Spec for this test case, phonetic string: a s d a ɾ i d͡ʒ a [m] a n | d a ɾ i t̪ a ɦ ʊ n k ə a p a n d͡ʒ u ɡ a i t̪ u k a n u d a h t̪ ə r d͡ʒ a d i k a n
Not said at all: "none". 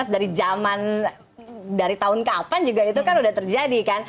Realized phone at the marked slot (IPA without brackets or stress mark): m